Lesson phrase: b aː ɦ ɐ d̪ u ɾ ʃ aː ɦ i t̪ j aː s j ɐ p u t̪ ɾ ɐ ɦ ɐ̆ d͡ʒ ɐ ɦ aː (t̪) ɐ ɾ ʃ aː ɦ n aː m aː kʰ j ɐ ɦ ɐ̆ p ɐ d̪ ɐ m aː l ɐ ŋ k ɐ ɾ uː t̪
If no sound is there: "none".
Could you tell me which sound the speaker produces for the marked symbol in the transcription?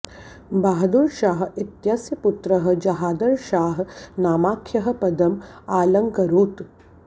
d̪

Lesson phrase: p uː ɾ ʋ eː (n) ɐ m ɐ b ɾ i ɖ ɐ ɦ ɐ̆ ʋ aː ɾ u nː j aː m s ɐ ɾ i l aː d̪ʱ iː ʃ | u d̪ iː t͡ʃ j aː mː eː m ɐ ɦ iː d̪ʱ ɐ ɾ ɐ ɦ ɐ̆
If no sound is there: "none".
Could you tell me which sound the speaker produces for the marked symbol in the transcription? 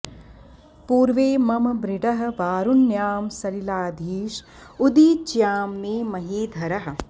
m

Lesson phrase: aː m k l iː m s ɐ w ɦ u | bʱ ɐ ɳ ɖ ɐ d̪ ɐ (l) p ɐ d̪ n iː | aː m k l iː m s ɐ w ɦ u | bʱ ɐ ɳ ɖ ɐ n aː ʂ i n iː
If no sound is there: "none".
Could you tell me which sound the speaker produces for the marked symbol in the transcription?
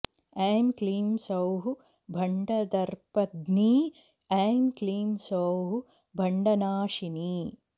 ɾ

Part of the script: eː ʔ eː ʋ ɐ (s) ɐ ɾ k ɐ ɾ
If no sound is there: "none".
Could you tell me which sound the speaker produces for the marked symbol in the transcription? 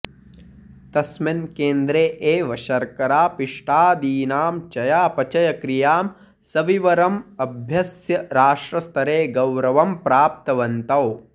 ʃ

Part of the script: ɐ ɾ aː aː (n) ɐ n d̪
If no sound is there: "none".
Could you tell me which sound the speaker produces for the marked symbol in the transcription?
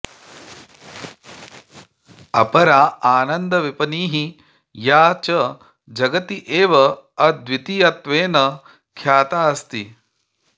n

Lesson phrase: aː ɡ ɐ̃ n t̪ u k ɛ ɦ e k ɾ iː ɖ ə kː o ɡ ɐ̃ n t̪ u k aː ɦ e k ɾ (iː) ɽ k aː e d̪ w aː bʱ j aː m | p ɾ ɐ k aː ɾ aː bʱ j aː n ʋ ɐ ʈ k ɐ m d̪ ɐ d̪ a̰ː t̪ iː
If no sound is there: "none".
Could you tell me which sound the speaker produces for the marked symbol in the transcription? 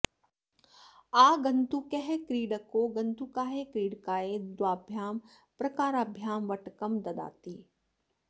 iː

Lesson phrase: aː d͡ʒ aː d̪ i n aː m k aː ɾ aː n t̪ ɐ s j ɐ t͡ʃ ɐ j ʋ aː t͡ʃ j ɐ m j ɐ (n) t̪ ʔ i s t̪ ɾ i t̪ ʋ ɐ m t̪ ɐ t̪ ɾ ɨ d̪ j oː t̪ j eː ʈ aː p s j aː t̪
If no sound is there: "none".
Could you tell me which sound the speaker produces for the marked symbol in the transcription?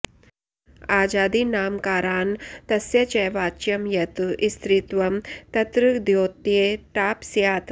none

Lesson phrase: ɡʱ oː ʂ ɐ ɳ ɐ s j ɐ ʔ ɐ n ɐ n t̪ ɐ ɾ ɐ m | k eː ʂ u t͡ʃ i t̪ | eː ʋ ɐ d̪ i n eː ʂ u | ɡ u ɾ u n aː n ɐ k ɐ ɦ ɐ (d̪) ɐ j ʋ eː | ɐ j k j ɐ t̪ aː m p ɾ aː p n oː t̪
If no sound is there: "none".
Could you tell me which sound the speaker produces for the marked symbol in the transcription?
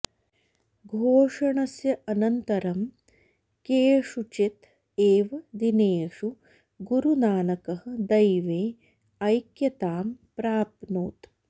d̪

